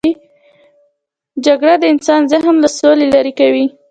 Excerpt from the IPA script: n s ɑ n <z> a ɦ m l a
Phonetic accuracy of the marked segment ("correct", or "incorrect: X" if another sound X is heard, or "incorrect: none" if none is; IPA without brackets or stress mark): correct